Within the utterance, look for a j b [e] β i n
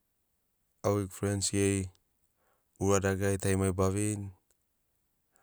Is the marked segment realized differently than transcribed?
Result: yes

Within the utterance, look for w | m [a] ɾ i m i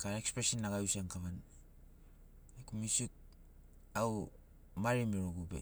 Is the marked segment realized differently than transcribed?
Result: no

